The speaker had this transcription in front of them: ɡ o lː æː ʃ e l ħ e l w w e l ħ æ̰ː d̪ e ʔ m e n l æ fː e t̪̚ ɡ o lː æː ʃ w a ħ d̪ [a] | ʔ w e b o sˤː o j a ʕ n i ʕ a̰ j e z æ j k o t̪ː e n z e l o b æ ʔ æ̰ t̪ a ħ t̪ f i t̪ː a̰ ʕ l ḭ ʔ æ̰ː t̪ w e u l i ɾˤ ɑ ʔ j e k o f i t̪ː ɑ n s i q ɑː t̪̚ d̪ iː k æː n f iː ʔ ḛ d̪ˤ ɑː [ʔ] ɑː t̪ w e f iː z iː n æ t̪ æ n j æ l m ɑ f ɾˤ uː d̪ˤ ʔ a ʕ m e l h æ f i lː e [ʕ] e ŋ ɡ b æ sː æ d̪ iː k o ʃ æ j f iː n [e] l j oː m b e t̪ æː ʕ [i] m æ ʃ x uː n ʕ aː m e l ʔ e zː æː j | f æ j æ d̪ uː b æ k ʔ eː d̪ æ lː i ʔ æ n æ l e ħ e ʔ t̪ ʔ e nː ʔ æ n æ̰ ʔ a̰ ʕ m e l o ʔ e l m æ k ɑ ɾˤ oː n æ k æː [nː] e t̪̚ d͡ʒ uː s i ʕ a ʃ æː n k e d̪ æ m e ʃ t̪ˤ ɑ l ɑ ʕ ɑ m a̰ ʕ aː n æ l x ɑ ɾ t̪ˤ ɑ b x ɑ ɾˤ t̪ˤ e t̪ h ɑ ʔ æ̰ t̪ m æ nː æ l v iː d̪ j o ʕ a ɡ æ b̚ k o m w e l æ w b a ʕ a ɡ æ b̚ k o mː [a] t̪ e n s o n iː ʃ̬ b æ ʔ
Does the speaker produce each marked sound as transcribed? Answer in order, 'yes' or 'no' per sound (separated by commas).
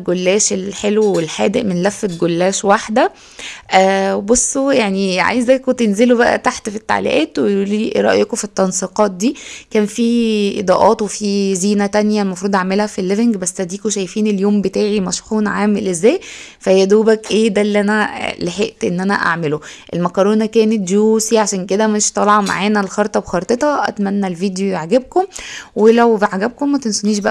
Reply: no, yes, no, yes, yes, no, no